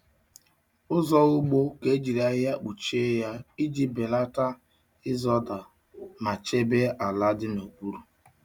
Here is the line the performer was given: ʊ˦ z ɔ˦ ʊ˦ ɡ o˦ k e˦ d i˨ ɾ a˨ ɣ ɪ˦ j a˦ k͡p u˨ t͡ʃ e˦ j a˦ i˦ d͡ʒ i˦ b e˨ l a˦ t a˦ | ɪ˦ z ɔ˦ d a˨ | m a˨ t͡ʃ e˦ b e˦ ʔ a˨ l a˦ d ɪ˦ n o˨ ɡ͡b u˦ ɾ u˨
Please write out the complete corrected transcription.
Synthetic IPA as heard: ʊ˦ z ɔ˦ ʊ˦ ɡ͡b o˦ k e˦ d͡ʒ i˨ ɾ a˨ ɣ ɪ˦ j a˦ k͡p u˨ t͡ʃ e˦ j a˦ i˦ d͡ʒ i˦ b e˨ l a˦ t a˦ | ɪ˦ z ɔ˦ d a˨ | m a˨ t͡ʃ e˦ b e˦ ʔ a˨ l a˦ d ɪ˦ n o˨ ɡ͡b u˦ ɾ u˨